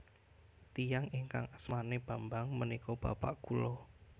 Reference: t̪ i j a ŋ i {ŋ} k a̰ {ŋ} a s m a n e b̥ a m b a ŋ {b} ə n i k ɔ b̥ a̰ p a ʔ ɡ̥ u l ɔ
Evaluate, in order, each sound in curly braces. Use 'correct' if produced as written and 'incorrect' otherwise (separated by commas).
correct, correct, incorrect